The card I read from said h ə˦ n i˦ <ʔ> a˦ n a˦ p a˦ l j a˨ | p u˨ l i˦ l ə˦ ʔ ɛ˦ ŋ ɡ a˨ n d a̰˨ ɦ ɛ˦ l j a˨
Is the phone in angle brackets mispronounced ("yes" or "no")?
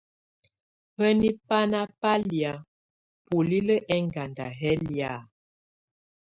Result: yes